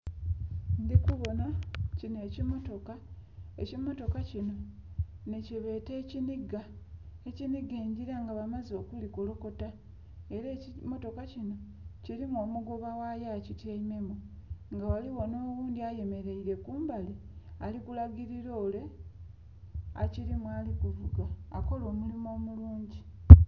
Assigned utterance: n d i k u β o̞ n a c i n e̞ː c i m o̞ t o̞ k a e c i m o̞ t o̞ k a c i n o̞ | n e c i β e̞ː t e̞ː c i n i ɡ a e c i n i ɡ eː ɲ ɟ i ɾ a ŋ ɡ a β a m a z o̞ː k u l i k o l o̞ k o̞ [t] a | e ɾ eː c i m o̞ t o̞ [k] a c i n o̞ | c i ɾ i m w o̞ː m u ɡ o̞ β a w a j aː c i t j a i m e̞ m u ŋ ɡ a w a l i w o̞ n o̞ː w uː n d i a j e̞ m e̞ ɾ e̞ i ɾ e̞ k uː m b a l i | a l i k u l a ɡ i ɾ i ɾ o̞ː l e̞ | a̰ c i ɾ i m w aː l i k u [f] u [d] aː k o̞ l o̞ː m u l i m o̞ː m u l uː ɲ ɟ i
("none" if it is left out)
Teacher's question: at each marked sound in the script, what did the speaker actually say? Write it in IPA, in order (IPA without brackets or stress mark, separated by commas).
t, k, v, ɡ